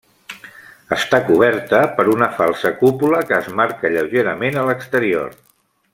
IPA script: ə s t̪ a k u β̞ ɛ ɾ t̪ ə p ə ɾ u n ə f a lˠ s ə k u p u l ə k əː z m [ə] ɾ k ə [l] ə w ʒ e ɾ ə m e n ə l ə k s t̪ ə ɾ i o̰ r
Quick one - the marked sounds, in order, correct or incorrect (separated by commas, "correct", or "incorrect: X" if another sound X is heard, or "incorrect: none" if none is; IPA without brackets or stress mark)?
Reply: incorrect: a, incorrect: ʎ